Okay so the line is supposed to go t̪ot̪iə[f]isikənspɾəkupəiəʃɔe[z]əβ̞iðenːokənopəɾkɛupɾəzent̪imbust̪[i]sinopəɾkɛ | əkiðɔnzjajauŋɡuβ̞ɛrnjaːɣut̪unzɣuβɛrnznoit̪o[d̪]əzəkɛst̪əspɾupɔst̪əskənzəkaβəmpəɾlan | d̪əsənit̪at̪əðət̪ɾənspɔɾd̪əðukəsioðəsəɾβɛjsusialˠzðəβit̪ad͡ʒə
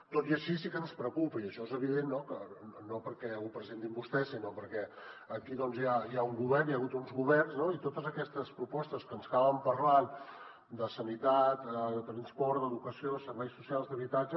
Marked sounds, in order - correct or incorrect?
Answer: incorrect: ʃ, correct, incorrect: ɛ, incorrect: t̪

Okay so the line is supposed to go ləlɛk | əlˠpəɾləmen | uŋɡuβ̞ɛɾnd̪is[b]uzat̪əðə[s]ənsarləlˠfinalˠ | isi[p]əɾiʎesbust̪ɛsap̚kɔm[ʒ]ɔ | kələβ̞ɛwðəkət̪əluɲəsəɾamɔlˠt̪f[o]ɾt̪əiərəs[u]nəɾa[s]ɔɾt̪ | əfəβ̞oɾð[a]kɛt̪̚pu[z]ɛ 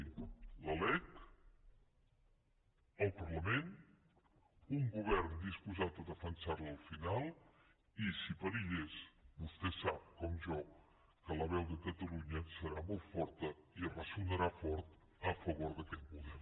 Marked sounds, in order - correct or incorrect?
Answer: incorrect: p, incorrect: f, correct, correct, incorrect: ɔ, correct, incorrect: f, incorrect: ə, incorrect: ð

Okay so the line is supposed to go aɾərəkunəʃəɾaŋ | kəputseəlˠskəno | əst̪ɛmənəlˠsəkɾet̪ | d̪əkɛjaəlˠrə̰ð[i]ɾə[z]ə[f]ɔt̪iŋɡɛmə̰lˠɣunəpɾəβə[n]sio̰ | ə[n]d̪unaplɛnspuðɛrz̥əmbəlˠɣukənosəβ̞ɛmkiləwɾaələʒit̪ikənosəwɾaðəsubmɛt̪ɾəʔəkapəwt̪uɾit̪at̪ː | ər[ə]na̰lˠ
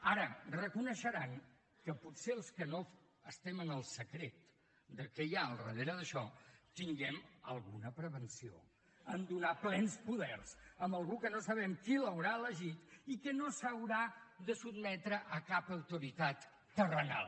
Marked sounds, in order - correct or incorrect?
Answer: incorrect: e, incorrect: ð, incorrect: ʃ, correct, correct, correct

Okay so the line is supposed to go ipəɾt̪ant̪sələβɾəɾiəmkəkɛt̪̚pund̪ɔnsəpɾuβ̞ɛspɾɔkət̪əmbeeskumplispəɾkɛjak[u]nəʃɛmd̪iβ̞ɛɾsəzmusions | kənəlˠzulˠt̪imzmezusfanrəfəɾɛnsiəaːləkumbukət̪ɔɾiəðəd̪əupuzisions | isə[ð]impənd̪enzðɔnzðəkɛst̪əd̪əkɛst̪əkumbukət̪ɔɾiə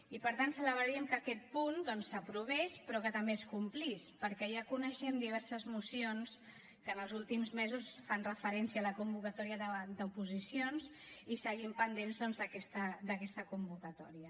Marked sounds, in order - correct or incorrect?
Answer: correct, incorrect: ɣ

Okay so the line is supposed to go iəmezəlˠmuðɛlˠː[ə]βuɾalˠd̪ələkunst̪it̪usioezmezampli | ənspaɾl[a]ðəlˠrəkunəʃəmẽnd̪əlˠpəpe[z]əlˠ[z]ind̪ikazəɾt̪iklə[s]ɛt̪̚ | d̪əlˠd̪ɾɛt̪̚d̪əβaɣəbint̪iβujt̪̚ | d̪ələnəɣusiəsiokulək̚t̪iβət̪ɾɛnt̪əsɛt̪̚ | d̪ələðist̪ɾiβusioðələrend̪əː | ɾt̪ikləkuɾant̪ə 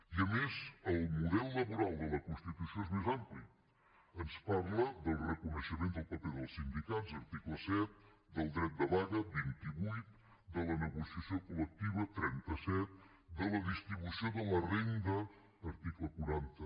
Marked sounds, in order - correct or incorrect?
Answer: correct, incorrect: ə, incorrect: ð, incorrect: s, correct

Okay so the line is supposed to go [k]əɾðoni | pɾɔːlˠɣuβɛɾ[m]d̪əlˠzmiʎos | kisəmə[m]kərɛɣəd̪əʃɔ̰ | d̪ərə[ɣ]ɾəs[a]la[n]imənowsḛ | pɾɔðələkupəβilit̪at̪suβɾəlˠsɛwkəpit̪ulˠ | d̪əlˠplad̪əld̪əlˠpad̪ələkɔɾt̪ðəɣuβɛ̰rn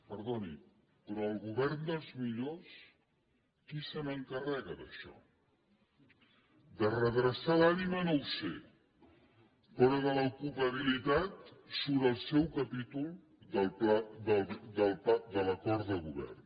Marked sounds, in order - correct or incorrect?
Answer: incorrect: p, incorrect: n, incorrect: ŋ, incorrect: ð, correct, correct

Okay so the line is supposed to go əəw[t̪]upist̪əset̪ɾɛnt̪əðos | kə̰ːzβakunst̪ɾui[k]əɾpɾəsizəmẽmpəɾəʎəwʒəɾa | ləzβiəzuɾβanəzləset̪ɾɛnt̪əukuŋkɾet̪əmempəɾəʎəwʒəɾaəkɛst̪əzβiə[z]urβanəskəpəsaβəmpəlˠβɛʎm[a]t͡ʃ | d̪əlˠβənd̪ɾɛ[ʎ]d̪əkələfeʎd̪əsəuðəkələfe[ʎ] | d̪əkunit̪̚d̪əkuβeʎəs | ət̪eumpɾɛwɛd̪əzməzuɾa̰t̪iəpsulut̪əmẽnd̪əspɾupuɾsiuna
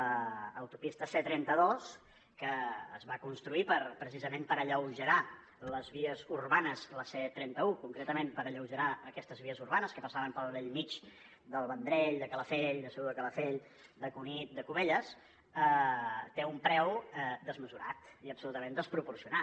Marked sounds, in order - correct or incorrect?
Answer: correct, incorrect: p, correct, incorrect: i, correct, correct

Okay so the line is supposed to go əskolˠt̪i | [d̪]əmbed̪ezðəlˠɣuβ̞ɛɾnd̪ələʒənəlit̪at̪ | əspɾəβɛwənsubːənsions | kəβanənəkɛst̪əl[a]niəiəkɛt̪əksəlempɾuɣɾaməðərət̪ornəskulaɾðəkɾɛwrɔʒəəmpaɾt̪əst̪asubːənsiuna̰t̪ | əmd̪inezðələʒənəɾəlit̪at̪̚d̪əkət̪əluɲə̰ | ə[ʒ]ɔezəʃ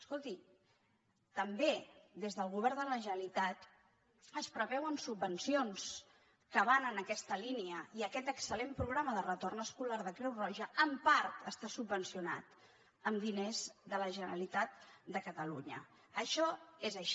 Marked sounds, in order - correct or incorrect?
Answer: incorrect: t̪, incorrect: i, incorrect: ʃ

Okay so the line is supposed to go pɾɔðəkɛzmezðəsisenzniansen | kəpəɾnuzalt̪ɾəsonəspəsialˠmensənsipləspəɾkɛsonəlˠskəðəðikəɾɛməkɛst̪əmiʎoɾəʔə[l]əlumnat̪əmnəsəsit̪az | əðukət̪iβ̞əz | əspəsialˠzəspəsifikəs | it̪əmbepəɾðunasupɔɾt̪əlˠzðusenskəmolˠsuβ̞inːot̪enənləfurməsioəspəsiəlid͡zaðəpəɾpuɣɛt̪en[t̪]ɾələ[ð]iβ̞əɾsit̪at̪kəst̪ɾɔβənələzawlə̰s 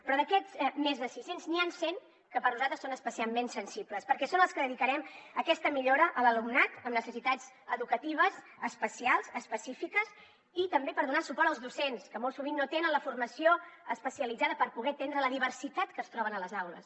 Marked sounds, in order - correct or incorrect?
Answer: correct, incorrect: d̪, correct

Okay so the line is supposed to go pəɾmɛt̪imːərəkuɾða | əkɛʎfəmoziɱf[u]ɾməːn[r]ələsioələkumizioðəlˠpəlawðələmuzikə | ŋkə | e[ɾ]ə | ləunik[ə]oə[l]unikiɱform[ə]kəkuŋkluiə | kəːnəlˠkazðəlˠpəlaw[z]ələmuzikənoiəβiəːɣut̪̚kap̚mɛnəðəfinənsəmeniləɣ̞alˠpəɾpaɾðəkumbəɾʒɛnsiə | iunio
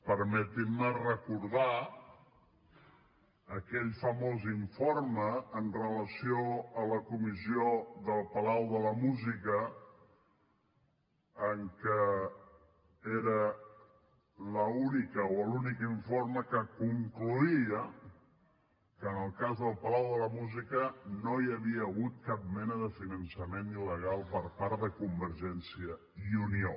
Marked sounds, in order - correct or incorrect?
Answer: incorrect: o, correct, correct, correct, correct, correct, incorrect: ð

